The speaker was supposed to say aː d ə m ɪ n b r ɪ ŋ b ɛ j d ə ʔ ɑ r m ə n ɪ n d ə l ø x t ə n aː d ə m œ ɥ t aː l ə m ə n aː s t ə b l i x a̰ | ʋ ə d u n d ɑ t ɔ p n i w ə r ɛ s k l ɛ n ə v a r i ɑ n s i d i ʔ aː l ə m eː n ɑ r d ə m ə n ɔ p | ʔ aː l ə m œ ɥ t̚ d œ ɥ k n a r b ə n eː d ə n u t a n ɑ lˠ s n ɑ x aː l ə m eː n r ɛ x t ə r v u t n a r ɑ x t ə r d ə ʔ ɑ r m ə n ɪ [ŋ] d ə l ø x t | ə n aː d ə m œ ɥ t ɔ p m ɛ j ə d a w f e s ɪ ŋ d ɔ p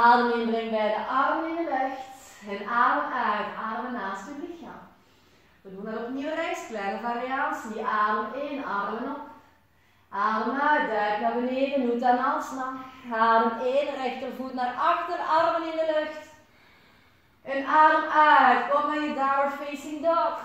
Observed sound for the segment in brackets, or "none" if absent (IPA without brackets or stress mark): n